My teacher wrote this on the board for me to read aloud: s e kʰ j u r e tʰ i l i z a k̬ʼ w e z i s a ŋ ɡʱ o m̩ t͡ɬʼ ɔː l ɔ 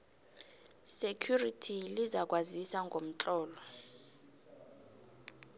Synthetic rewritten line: s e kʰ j u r i tʰ i l i z a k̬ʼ w a z i s a ŋ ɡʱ o m̩ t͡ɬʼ ɔː l ɔ